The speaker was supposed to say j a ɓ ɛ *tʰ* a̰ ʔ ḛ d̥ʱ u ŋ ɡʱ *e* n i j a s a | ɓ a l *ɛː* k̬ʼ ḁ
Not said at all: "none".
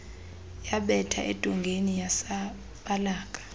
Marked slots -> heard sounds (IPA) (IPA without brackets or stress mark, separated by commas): tʰ, e, aː